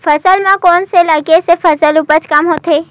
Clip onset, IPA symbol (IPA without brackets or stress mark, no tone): f